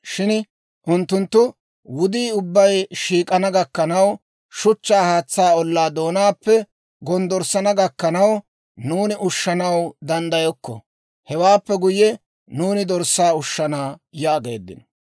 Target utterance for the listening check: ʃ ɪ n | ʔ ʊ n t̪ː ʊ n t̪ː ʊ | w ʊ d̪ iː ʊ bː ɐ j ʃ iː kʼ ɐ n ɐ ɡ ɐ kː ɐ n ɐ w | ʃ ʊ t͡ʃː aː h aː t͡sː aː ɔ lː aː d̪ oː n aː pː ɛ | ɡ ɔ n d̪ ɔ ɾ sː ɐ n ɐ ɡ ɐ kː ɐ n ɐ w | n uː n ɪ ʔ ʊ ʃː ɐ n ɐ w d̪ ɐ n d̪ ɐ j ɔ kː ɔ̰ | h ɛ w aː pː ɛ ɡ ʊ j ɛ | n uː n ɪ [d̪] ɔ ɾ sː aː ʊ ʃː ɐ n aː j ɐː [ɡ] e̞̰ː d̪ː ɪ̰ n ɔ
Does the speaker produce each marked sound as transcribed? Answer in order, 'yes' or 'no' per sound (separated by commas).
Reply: yes, yes